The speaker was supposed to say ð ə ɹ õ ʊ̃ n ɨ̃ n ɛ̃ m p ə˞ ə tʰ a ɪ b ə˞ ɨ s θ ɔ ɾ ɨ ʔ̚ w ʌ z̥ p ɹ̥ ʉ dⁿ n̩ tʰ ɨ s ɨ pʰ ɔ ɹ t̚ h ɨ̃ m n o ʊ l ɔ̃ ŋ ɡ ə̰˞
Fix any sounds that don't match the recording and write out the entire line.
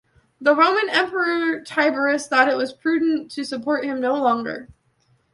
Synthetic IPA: ð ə ɹ õ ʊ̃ m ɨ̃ n ɛ̃ m p ə˞ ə tʰ a ɪ b ə˞ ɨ s θ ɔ ɾ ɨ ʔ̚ w ʌ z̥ pʰ ɹ̥ ʉ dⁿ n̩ tʰ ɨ s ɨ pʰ ɔ ɹ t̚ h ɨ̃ m n o ʊ l ɔ̃ ŋ ɡ ə̰˞